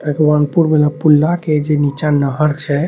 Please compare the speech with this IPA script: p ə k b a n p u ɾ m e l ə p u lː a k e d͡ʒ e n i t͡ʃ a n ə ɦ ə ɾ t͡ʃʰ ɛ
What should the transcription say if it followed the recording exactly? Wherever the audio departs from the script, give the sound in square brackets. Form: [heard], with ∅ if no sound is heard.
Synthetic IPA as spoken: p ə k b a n p u ɾ m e l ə p u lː a k e d͡ʒ e n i t͡ʃ a n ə ɦ ə ɾ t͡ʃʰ ɛ